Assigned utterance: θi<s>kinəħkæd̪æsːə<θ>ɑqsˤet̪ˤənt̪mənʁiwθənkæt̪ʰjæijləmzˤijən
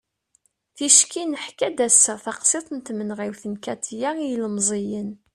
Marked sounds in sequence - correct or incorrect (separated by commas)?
incorrect, correct